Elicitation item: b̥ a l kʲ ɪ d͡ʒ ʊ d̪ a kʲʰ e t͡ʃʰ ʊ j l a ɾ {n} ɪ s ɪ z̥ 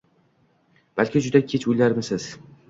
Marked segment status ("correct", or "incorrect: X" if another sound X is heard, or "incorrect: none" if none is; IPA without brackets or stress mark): incorrect: m